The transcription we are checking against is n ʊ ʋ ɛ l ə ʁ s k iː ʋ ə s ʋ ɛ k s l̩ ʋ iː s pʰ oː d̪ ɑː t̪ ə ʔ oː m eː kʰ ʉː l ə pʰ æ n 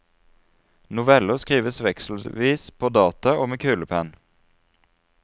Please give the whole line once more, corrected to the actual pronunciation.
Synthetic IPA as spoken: n ʊ ʋ ɛ l ə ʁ s k iː ʋ ə s ʋ ɛ k s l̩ ʋ iː s pʰ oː d̪ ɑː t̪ ɑ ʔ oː m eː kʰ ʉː l ə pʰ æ n